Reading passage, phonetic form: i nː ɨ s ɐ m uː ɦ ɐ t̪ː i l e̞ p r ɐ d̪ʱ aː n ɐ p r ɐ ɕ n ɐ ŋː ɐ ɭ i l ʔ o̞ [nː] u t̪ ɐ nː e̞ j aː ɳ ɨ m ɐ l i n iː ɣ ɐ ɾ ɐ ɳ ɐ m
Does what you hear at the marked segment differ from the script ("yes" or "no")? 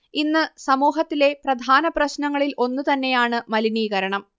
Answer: no